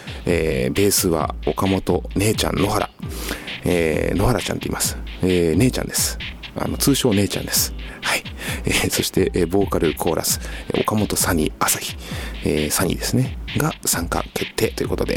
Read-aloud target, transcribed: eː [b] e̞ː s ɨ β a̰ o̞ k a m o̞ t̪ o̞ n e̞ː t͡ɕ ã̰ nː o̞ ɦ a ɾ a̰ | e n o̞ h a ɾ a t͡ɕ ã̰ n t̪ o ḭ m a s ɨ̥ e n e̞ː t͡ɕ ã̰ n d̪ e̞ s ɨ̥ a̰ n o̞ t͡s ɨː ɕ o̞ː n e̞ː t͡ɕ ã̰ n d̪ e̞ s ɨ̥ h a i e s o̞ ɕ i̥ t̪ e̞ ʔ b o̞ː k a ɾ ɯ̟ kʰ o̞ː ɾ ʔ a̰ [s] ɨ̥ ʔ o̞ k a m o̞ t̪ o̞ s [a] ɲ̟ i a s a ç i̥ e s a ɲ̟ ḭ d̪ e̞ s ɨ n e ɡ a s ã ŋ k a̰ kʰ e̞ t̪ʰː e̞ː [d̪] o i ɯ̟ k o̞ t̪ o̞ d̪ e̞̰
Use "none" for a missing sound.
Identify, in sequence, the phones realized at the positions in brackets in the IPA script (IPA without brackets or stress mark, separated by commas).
b, s, a, t̪